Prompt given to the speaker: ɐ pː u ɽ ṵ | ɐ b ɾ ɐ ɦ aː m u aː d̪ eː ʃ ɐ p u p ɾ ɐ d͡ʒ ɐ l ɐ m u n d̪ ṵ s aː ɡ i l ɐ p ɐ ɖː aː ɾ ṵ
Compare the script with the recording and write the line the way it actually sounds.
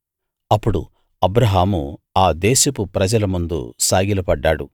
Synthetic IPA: ɐ pː u ɽ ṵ | ɐ b ɾ ɐ ɦ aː m u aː d̪ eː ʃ ɐ p u p ɾ ɐ d͡ʒ ɐ l ɐ m u n d̪ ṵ s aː ɡ i l ɐ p ɐ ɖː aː ɽ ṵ